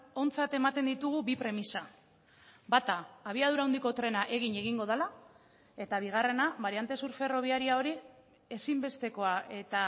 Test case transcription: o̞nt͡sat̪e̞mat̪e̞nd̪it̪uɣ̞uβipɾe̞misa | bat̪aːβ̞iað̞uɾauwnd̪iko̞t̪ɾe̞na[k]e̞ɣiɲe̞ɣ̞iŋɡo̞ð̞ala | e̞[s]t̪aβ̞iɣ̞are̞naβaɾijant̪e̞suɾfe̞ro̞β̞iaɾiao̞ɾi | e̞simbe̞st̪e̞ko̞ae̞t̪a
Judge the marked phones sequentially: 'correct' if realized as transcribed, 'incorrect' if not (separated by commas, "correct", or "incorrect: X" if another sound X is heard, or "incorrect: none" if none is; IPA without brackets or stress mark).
incorrect: ʔ, incorrect: none